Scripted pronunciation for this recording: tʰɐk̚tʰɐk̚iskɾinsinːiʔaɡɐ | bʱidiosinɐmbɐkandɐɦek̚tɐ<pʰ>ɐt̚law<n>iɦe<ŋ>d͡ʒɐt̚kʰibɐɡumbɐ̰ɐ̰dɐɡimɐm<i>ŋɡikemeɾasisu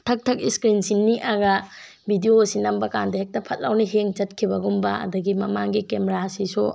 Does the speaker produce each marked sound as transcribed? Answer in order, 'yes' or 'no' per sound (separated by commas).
yes, yes, yes, no